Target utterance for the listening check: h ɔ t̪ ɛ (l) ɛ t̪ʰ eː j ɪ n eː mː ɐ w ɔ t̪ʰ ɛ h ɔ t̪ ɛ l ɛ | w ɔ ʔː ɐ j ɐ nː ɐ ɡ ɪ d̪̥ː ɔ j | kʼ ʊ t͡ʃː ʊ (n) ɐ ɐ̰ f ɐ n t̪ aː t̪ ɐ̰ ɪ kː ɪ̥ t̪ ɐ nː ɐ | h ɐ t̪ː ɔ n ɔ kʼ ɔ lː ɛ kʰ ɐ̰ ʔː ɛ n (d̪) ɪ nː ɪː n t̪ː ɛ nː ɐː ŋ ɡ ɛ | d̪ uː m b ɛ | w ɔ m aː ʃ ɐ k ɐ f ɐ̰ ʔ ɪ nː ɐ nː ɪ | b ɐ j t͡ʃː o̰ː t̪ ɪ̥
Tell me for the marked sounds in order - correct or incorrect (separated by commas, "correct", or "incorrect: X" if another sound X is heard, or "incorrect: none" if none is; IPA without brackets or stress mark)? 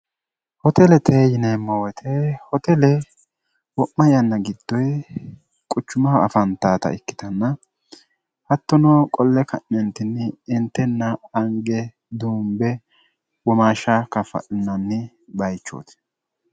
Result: correct, incorrect: m, incorrect: t̪